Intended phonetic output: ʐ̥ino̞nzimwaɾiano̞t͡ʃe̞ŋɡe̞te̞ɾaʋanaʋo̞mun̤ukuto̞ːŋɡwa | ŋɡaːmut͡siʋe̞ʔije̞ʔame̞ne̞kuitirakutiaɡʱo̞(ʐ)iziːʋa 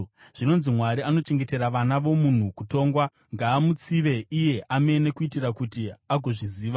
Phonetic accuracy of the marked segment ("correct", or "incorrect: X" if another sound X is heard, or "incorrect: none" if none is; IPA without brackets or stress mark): correct